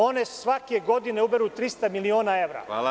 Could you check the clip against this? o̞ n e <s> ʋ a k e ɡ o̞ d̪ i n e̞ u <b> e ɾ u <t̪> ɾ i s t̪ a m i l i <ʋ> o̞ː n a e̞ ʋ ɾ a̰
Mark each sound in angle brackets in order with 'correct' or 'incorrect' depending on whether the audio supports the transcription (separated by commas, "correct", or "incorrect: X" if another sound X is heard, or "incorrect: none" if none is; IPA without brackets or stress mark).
correct, correct, correct, incorrect: none